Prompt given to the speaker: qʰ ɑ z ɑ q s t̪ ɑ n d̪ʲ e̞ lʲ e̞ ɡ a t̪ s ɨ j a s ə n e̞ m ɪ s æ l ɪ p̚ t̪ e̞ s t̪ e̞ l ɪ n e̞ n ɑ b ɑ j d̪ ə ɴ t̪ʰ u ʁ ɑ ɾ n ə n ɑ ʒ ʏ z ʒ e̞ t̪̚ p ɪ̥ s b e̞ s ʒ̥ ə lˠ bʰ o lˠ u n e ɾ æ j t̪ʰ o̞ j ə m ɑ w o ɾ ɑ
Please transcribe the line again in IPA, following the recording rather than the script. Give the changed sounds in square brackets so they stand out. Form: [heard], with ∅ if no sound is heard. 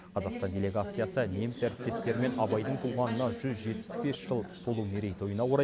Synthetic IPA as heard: qʰ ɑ z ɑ q s t̪ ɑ n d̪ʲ e̞ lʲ e̞ ɡ a t̪ s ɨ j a s ə n e̞ m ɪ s æ [ɾ] ɪ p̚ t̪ e̞ s t̪ e̞ [ɾ] ɪ [m] e̞ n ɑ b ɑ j d̪ ə ɴ t̪ʰ u ʁ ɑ [∅] n ə n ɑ ʒ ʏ z ʒ e̞ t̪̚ p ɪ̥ s b e̞ s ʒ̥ ə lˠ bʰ o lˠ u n e ɾ [e] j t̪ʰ o̞ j ə [n] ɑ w o ɾ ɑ